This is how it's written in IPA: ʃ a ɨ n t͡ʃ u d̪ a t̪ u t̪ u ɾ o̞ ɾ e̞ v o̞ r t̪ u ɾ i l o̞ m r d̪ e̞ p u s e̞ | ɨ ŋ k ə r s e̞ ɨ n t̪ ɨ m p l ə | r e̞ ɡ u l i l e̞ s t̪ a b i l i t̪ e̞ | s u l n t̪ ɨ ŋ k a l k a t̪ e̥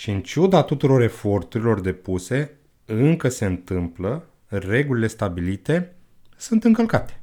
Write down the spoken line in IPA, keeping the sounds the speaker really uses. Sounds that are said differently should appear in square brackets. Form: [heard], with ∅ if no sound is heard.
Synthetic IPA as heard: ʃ [i] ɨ n t͡ʃ u d̪ a t̪ u t̪ u ɾ o̞ ɾ e̞ [f] o̞ r t̪ u ɾ i l o̞ [∅] r d̪ e̞ p u s e̞ | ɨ ŋ k ə [∅] s e̞ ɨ n t̪ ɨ m p l ə | r e̞ ɡ u l i l e̞ s t̪ a b i l i t̪ e̞ | s u [∅] n t̪ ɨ ŋ k [ə] l k a t̪ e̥